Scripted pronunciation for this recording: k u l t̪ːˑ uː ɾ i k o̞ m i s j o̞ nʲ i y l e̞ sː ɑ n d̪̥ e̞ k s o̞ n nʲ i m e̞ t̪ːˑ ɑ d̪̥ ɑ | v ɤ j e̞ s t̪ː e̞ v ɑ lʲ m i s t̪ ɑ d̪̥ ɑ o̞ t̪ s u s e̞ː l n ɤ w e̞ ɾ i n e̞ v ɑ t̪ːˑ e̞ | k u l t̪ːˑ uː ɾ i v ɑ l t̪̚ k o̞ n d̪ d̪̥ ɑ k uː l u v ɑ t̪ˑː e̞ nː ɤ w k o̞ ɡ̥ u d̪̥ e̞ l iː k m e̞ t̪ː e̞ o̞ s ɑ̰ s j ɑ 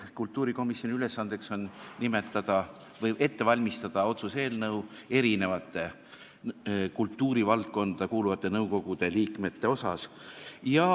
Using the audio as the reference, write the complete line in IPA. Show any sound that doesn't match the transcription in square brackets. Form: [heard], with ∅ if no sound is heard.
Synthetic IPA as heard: k u l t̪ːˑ uː ɾ i k o̞ m i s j o̞ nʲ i y l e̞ sː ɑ n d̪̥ e̞ k s o̞ n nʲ i m e̞ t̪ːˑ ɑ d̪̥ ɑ | v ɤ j e̞ [∅] t̪ː e̞ v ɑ lʲ m i s t̪ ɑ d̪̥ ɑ o̞ t̪ s u s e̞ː l n ɤ w e̞ ɾ i n e̞ v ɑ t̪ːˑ e̞ | k u l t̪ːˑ uː ɾ i v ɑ l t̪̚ k o̞ n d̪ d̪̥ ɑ k uː l u v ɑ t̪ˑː e̞ [n] ɤ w k o̞ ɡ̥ u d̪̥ e̞ l iː k m e̞ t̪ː e̞ o̞ s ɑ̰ s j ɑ